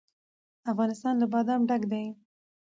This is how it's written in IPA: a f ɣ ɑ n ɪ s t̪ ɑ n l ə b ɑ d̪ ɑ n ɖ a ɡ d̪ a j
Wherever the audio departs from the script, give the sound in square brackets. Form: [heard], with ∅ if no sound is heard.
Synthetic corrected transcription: a f ɣ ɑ n ɪ s t̪ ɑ n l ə b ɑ d̪ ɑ [m] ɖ a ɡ d̪ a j